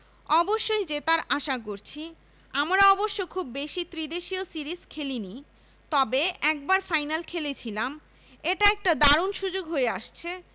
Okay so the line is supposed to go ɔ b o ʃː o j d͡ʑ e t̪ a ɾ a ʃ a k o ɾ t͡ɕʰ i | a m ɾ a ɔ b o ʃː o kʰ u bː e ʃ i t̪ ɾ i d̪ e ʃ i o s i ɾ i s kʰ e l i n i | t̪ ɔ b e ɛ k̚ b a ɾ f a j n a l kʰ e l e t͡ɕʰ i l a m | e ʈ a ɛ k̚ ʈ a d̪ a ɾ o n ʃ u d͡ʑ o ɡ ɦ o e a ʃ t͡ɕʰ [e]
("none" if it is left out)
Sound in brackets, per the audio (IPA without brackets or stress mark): e